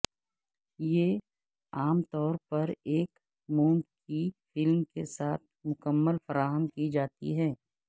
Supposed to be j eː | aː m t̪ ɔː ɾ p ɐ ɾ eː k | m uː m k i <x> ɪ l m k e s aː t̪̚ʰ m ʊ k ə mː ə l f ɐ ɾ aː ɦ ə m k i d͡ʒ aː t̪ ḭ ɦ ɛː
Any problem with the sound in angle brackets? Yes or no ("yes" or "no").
yes